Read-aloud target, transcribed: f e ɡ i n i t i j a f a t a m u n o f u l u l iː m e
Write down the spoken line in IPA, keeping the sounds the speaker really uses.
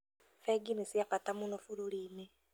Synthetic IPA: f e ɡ i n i s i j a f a t a m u n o f u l u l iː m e